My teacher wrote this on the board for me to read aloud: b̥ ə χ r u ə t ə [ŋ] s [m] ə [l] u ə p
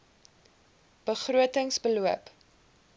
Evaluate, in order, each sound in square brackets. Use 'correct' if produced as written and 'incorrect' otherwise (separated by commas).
correct, incorrect, correct